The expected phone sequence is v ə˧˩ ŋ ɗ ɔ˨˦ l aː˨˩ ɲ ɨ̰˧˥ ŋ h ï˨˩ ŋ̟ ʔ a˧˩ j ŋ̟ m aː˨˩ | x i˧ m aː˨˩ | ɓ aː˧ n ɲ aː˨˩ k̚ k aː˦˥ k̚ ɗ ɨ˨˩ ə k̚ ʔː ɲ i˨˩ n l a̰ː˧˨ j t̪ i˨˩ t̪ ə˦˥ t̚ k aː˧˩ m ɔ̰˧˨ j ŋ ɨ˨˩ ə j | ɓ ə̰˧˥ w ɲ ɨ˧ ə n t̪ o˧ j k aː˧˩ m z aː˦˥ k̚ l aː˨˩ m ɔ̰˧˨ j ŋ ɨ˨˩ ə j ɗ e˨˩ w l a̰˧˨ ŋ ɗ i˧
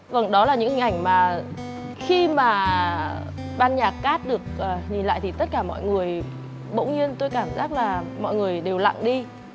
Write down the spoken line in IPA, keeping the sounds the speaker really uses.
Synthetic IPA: v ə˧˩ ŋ ɗ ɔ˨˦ l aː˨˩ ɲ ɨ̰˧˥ ŋ h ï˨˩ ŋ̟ ʔ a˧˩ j ŋ̟ m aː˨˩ | x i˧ m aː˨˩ | ɓ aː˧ n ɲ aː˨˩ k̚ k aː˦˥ t̚ ɗ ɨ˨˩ ə k̚ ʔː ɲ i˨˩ n l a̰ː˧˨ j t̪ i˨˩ t̪ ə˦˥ t̚ k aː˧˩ m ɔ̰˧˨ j ŋ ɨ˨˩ ə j | ɓ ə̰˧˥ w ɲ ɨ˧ ə n t̪ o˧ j k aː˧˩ m z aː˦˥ k̚ l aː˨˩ m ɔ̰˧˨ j ŋ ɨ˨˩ ə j ɗ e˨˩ w l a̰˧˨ ŋ ɗ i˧